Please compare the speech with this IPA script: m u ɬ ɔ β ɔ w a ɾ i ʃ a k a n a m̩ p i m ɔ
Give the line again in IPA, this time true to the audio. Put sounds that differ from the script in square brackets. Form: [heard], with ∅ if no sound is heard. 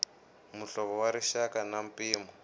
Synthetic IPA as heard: m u ɬ ɔ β ɔ w a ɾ i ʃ a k a n a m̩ p [iː] m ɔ